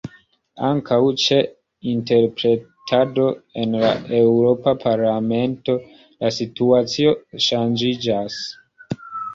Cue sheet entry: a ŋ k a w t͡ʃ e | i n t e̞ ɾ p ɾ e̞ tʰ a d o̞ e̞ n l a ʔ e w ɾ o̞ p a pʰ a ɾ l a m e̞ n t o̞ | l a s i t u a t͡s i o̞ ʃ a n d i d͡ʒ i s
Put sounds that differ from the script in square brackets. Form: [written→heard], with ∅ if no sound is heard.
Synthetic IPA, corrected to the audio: a ŋ k a w t͡ʃ e | i n t e̞ ɾ p ɾ e̞ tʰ a d o̞ e̞ n l a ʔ e w ɾ o̞ p a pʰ a ɾ l a m e̞ n t o̞ | l a s i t u a t͡s i o̞ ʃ a n [d→d͡ʒ] i d͡ʒ [i→a] s